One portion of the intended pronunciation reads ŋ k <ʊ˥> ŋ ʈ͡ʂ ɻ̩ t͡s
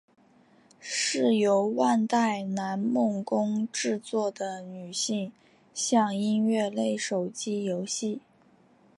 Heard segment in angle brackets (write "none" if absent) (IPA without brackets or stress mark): ʊ˥